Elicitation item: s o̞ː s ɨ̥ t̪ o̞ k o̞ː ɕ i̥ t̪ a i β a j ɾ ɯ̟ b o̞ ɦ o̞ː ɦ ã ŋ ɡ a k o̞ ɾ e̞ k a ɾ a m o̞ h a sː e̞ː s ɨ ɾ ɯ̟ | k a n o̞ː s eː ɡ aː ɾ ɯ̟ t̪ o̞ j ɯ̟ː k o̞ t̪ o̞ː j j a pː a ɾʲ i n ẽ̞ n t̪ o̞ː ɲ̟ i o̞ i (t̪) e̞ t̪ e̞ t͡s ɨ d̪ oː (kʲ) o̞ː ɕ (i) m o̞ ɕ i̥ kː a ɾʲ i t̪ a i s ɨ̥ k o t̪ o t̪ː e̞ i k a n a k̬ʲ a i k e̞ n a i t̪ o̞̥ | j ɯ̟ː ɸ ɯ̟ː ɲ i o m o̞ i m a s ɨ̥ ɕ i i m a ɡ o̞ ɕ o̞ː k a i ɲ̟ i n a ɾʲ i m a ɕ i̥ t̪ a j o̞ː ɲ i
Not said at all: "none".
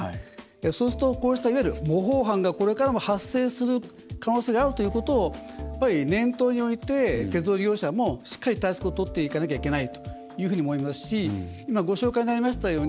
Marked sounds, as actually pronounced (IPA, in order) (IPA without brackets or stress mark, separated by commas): t̪, ɡʲ, a